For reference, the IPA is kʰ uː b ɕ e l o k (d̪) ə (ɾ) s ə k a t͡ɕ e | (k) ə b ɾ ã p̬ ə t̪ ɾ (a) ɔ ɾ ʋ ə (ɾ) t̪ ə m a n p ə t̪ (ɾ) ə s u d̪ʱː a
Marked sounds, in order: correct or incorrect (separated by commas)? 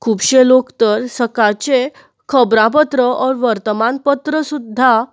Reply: incorrect, correct, incorrect, incorrect, correct, correct